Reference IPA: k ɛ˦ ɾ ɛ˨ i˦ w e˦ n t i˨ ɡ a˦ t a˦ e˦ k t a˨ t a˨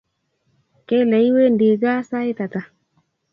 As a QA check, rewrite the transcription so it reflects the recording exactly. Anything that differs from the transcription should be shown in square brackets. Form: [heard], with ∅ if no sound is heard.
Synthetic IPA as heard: k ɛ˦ [l] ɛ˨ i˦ w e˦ n [d] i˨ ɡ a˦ [s] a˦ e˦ [∅] t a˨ t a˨